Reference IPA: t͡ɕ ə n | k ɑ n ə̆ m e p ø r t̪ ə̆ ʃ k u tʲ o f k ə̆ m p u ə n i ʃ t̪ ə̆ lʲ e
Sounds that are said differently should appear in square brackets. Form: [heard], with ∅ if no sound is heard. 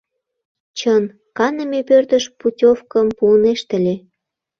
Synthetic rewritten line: t͡ɕ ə n | k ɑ n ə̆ m e p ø r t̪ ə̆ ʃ [p] u tʲ o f k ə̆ m p u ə n [e] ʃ t̪ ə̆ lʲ e